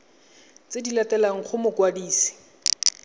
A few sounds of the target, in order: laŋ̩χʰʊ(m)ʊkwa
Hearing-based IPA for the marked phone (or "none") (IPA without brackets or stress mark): m